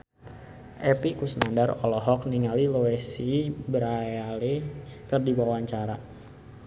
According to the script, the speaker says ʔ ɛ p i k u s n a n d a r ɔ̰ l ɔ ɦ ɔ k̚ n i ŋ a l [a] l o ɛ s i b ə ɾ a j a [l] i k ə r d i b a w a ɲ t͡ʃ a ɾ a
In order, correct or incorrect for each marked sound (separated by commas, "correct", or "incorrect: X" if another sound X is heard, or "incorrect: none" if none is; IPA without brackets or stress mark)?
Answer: incorrect: i, correct